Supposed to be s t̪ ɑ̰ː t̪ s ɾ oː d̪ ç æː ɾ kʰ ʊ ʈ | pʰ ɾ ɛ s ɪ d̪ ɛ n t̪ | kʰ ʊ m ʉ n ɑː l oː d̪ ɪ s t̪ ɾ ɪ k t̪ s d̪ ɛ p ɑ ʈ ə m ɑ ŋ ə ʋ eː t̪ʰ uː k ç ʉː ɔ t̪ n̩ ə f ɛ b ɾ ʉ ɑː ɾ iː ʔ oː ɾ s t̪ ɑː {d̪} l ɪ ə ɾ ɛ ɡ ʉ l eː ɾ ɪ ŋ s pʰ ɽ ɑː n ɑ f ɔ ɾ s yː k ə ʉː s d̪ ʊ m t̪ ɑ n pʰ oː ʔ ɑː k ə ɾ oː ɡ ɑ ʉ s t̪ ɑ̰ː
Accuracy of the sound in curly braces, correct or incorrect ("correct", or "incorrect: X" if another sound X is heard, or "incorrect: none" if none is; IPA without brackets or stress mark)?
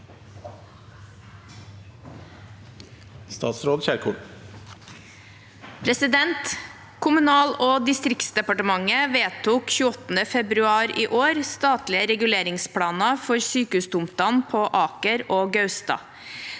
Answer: incorrect: t̪